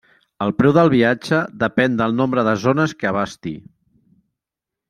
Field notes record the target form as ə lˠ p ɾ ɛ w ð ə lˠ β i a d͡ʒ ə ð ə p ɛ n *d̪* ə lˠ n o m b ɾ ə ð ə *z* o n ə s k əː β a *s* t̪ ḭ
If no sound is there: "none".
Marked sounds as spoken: d̪, z, s

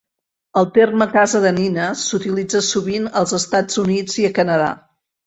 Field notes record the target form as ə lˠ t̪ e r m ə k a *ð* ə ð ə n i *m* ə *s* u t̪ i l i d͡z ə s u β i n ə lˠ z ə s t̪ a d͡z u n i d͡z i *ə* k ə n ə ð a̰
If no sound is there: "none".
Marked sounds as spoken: z, n, s, ə

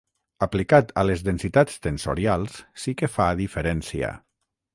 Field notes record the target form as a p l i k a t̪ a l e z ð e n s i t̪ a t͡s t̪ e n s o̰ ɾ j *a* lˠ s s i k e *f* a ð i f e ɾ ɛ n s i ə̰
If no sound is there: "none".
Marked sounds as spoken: a, f

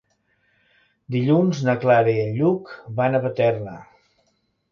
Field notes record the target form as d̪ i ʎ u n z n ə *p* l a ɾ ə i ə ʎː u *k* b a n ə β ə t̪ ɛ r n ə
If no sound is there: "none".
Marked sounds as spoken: k, k

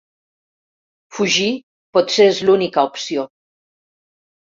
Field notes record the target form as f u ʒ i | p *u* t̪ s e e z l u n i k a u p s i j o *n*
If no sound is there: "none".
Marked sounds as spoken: ɔ, none

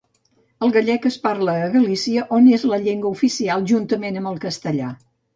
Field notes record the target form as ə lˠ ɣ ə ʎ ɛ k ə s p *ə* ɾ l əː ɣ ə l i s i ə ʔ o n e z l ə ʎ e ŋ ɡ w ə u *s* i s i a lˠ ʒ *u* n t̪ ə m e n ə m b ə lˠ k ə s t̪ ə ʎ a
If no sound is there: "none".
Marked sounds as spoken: a, f, u

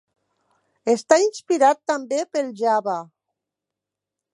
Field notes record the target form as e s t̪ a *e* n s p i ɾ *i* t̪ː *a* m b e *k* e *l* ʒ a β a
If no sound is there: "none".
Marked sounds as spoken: i, a, a, p, l

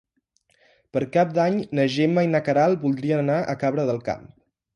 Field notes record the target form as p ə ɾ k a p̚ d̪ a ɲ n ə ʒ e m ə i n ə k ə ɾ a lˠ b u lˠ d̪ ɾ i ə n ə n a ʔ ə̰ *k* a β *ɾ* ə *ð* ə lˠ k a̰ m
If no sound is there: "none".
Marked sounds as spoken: k, ɾ, ð

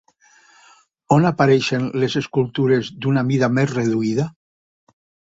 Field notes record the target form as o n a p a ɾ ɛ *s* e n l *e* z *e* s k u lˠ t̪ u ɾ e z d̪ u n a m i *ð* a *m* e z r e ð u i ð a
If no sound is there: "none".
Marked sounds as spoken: ʃ, e, e, ð, m

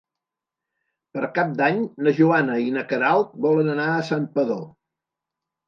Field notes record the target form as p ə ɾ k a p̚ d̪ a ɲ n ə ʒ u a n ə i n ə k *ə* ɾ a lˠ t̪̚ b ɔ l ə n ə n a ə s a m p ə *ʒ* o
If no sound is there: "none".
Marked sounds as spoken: ə, ð

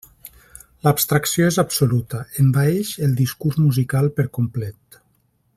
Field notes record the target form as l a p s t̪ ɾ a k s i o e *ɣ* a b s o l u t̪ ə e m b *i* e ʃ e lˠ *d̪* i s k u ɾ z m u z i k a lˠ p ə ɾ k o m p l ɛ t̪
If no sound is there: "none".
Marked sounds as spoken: z, a, d̪

